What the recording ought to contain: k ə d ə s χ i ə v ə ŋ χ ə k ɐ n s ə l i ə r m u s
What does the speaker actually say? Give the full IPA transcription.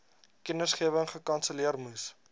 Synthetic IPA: k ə n ə s χ i ə v ə ŋ χ ə k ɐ n s ə l i ə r m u s

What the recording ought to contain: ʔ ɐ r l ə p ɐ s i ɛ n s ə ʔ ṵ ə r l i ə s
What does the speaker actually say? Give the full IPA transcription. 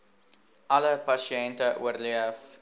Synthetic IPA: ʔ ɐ l ə p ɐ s i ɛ n t ə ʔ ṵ ə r l i ə f

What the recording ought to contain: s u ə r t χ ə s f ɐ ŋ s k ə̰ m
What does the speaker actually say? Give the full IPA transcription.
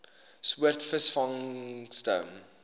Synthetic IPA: s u ə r t f ə s f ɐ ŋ s t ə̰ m

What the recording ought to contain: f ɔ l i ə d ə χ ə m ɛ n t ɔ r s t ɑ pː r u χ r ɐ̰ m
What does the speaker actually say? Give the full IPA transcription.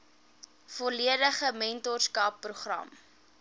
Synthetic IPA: f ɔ l i ə d ə χ ə m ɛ n t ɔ r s k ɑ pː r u χ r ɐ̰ m

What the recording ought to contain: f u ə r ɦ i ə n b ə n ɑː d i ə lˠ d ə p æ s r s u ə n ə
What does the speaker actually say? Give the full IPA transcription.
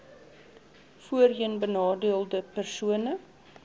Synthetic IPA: f u ə r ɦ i ə n b ə n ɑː d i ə lˠ d ə p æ r s u ə n ə

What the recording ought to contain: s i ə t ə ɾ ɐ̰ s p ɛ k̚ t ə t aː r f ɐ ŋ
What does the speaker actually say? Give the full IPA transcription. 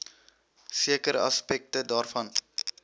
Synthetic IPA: s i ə k ə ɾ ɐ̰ s p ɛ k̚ t ə d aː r f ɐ n

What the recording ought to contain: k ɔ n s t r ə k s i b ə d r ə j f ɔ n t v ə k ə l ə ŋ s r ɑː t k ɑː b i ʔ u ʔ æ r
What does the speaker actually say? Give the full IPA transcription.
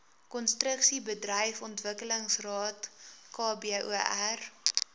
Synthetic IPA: k ɔ n s t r ə k s i b ə d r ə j f ɔ n t v ə k ə l ə ŋ s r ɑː t k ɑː b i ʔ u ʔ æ r

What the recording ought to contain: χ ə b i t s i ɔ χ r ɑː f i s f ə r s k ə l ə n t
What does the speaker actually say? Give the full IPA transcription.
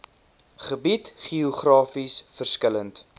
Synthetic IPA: χ ə b i t χ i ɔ χ r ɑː f i s f ə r s k ə l ə n t

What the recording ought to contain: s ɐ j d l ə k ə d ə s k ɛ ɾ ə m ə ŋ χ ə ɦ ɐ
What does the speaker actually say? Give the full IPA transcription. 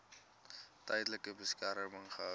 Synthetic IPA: t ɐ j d l ə k ə b ə s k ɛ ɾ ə m ə ŋ χ ə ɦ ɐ

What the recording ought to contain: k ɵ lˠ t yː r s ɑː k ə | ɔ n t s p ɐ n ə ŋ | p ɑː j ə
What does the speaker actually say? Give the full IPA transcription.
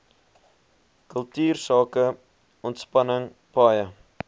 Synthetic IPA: k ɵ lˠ t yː r s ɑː k ə | ɔ n t s p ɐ n ə ŋ | p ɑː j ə

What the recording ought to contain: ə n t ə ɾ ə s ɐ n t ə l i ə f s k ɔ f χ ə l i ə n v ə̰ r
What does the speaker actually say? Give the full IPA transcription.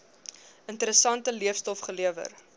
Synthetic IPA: ə n t ə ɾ ə s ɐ n t ə l i ə f s t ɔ f χ ə l i ə v ə̰ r

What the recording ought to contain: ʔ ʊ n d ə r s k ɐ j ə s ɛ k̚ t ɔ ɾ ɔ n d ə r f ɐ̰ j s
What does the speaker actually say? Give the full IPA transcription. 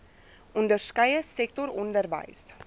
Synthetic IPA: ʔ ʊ n d ə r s k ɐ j ə s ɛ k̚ t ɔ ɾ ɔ n d ə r v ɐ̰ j s

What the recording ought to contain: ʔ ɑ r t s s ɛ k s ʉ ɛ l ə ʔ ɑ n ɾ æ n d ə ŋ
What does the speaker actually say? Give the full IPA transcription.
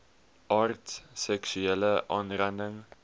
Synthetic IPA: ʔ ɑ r t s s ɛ k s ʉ ɛ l ə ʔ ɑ n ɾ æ n d ə ŋ

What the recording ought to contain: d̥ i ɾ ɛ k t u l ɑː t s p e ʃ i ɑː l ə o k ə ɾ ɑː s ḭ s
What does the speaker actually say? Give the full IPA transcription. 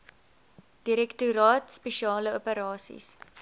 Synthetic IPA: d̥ i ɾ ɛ k t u ɾ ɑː t s p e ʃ i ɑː l ə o p ə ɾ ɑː s ḭ s

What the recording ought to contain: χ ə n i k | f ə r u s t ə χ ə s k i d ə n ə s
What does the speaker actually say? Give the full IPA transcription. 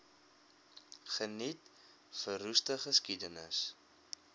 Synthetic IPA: χ ə n i t | f ə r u s t ə χ ə s k i d ə n ə s

